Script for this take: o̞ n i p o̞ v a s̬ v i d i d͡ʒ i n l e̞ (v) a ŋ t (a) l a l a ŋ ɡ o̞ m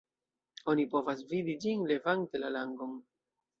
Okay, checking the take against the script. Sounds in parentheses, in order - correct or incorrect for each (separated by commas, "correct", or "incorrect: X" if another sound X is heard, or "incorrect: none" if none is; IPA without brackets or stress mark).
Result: correct, incorrect: e